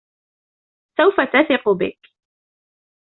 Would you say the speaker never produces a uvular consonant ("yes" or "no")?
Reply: no